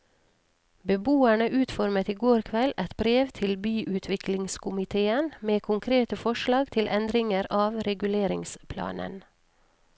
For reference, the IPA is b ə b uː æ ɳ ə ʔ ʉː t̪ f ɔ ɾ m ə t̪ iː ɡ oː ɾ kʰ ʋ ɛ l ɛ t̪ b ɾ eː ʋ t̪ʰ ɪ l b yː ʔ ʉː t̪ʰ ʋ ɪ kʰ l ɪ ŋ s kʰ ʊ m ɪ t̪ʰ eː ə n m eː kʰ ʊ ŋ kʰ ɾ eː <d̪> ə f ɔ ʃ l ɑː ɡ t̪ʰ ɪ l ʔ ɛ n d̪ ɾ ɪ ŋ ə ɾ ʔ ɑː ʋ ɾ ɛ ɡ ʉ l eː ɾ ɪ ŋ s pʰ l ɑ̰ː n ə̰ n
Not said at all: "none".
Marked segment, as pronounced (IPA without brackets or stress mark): t̪